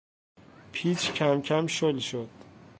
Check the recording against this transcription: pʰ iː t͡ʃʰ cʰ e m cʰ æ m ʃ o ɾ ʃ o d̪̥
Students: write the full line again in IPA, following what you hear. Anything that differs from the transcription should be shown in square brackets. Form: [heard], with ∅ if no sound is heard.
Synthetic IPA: pʰ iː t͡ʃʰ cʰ [æ] m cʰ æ m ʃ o [l] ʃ o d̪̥